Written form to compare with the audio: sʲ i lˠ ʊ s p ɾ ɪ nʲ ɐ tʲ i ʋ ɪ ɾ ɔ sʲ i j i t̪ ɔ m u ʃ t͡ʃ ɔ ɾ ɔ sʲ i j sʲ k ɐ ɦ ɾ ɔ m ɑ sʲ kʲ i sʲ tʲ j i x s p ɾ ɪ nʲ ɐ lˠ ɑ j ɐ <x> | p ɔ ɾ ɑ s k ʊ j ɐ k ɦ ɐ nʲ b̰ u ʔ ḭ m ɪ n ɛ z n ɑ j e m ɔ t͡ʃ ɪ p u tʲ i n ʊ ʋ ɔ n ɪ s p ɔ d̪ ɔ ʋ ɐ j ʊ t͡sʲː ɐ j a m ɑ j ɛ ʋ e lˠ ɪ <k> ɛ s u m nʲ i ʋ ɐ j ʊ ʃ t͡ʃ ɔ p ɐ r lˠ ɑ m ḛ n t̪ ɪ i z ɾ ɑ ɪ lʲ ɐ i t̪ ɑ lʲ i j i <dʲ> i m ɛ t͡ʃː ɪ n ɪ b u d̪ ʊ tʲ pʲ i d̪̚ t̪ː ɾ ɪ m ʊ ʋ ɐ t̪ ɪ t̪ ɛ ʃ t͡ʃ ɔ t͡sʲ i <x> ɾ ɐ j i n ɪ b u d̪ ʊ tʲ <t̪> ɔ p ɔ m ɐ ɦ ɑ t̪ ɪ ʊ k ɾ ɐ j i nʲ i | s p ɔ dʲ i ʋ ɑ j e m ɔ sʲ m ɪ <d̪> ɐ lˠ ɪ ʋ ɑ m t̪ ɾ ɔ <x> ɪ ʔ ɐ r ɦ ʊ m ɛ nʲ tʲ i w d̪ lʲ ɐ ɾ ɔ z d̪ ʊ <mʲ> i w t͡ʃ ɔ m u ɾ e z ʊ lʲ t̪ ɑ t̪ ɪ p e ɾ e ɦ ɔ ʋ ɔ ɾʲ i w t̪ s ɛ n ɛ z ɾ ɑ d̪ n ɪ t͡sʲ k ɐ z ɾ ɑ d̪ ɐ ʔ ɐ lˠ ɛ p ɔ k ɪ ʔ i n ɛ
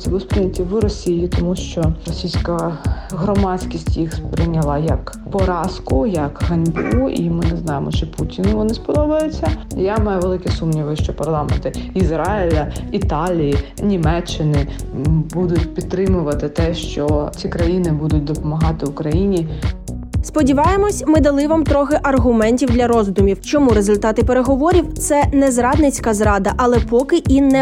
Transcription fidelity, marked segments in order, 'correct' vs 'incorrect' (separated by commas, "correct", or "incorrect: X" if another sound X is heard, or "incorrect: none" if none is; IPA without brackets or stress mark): incorrect: k, correct, incorrect: nʲ, incorrect: k, incorrect: d̪, correct, correct, correct